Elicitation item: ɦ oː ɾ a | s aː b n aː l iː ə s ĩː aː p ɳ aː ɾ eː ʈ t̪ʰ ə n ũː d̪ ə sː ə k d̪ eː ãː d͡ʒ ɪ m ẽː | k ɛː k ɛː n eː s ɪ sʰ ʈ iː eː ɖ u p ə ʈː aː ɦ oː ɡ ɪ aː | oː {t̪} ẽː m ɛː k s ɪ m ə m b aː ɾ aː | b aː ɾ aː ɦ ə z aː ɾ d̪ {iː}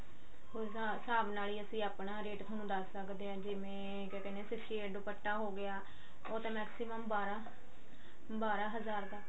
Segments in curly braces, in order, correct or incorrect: correct, incorrect: aː

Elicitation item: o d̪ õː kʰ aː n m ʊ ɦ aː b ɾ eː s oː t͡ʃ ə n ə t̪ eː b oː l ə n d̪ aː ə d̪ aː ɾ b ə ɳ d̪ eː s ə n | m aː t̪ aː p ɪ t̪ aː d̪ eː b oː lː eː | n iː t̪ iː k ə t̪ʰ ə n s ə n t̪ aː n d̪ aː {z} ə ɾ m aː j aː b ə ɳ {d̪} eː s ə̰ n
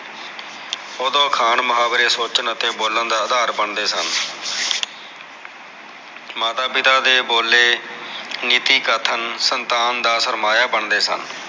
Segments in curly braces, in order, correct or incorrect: incorrect: s, correct

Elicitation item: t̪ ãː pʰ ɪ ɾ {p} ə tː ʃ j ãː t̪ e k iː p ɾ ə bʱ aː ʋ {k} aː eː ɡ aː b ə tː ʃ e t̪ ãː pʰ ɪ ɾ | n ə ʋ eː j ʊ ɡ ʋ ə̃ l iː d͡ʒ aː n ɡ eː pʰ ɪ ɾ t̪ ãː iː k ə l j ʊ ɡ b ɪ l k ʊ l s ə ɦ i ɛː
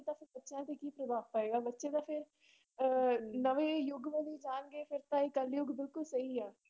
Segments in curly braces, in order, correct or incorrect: incorrect: b, incorrect: p

